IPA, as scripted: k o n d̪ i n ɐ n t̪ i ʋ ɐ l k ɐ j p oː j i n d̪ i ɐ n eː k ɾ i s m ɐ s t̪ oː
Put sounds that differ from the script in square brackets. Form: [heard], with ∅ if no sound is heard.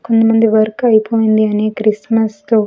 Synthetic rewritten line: k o n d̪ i [m] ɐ n [d̪] i ʋ ɐ [ɾ] k ɐ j p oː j i n d̪ i ɐ n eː k ɾ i s m ɐ s t̪ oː